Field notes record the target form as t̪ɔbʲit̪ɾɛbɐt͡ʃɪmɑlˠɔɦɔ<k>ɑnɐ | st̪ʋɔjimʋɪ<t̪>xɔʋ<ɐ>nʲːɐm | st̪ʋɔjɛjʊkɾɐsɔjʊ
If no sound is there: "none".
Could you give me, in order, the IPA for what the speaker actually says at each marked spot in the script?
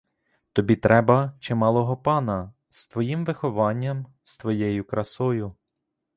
p, none, ɑ

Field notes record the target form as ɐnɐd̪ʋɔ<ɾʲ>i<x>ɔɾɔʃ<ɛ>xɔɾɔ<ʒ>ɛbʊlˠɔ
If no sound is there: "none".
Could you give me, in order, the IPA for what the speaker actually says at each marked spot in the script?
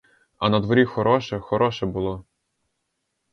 ɾʲ, x, ɛ, ʃ

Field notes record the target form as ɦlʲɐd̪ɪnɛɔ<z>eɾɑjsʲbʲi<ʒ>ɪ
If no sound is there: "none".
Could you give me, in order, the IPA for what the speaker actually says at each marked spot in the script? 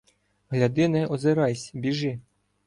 z, ʒ

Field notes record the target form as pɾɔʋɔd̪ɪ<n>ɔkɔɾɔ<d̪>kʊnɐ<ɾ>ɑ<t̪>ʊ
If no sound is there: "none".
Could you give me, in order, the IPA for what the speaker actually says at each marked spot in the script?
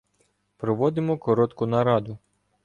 m, t̪, ɾ, d̪

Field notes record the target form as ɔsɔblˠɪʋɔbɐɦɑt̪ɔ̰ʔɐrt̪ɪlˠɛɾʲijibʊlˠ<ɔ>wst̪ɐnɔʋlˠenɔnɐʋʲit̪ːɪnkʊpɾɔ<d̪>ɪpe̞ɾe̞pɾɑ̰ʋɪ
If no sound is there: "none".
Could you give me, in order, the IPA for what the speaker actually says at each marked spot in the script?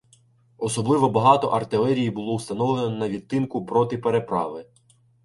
ɔ, t̪

